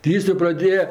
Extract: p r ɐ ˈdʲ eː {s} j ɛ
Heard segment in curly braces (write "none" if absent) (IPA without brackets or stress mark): none